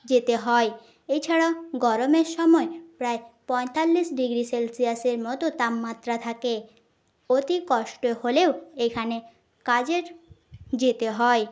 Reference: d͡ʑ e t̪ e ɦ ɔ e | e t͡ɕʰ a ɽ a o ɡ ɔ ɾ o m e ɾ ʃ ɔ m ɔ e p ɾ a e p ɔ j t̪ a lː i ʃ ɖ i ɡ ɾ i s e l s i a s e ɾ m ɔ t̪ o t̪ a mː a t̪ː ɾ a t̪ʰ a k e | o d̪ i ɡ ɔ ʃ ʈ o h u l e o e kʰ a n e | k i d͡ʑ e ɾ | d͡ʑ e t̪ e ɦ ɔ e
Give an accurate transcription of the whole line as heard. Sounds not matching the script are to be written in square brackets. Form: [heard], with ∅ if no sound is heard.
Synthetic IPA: d͡ʑ e t̪ e ɦ ɔ e | e t͡ɕʰ a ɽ a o ɡ ɔ ɾ o m e ɾ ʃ ɔ m ɔ e p ɾ a e p ɔ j t̪ a lː i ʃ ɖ i ɡ ɾ i s e l s i a s e ɾ m ɔ t̪ o t̪ a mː a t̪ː ɾ a t̪ʰ a k e | o [t̪] i [k] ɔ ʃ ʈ o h [o] l e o e kʰ a n e | k [a] d͡ʑ e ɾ | d͡ʑ e t̪ e ɦ ɔ e